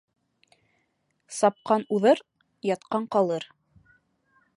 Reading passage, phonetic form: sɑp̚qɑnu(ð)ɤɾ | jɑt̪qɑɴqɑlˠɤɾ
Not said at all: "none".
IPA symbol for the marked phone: ð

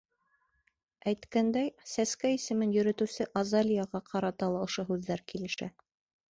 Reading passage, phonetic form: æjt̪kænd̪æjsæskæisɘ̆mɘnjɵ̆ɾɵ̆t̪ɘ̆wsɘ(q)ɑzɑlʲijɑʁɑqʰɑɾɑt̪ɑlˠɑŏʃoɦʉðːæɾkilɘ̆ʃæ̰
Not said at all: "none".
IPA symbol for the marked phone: ʔ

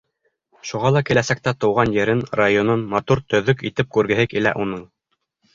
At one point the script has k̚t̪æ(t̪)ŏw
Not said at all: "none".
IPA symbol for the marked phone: t̪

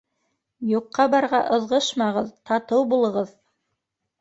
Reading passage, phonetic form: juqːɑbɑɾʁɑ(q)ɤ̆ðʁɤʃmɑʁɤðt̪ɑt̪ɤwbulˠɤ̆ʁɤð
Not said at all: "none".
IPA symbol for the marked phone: ʔ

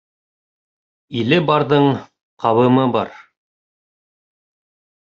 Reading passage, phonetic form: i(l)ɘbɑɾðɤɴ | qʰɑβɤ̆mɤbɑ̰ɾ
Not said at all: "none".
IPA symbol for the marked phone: l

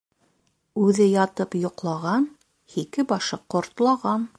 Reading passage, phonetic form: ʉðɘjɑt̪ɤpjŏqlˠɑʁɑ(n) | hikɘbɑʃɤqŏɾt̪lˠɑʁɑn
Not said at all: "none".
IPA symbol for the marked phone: n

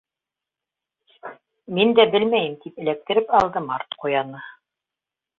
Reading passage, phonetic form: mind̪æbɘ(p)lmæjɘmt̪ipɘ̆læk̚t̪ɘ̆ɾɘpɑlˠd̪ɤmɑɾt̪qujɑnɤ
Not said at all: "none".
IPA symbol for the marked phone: none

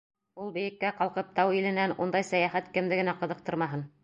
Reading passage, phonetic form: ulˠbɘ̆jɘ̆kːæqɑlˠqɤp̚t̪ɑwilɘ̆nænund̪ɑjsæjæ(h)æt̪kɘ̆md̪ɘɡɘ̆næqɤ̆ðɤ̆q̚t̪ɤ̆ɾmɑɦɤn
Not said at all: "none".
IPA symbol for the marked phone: χ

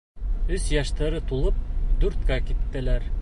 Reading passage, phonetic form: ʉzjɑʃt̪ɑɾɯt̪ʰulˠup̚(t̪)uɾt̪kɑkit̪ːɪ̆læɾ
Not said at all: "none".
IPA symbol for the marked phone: d̪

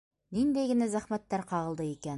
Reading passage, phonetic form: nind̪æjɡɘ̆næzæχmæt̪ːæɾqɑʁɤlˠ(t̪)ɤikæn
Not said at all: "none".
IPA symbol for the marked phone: d̪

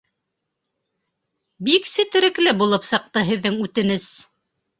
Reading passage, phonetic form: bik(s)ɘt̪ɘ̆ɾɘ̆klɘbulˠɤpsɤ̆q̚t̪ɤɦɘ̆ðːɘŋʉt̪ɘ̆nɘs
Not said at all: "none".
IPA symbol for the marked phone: s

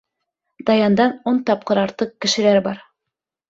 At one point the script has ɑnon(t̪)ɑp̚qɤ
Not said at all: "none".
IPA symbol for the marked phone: t̪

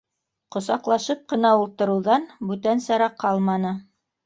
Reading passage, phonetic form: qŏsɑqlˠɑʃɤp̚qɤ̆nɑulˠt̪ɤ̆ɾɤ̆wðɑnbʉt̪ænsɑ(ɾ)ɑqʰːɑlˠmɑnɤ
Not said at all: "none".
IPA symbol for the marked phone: ɾ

